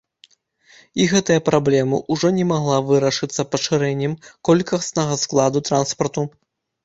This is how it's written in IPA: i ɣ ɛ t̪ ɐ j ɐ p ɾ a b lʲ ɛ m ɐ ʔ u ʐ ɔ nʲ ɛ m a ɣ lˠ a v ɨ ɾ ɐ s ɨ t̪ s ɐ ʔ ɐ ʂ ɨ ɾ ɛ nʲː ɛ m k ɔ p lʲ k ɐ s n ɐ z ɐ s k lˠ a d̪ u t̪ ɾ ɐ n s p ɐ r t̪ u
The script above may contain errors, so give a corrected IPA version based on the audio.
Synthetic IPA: i ɣ ɛ t̪ ɐ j ɐ p ɾ a b lʲ ɛ m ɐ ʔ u ʐ ɔ nʲ ɛ m a ɣ lˠ a v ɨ ɾ ɐ ʂ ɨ t̪ sː ɐ p ɐ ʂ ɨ ɾ ɛ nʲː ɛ m k ɔ lʲ k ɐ s n ɐ ɣ ɐ s k lˠ a d̪ u t̪ ɾ a n s p ɐ r t̪ u